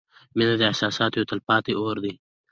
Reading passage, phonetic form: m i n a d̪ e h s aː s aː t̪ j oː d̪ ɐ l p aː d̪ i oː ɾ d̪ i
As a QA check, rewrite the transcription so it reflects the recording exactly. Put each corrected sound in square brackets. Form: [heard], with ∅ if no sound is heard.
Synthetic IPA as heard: m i n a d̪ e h s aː s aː t̪ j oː [t̪] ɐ l p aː [t̪] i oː ɾ d̪ i